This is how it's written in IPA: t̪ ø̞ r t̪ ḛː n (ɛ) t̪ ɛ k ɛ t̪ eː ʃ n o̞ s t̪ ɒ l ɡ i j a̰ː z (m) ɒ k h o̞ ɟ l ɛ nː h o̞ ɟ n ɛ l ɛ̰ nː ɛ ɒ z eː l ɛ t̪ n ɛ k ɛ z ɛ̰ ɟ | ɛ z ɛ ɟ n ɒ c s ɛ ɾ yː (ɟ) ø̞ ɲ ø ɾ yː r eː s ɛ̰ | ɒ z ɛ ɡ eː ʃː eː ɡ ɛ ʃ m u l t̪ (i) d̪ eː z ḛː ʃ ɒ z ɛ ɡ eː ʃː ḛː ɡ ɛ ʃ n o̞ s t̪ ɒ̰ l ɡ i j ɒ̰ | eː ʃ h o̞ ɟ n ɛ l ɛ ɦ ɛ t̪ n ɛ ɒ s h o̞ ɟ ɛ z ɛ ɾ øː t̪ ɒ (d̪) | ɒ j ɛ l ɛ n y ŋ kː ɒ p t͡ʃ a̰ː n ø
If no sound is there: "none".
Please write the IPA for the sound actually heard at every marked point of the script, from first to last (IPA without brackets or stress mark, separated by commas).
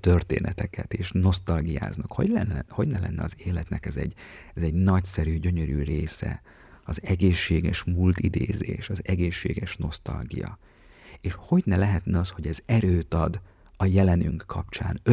ɛ, n, ɟ, i, d̪